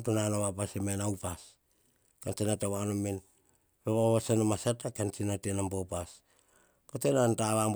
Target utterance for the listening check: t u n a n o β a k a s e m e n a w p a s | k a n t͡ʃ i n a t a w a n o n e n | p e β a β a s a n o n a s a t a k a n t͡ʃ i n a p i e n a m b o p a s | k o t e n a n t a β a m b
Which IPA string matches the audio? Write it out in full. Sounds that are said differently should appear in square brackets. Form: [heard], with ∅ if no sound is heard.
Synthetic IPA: t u n a n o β a [p] a s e m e n a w p a s | k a n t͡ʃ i n a t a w a n o [m] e n | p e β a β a s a n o [m] a s a t a k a n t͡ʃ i n a [t] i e n a m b o p a s | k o t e n a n t a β a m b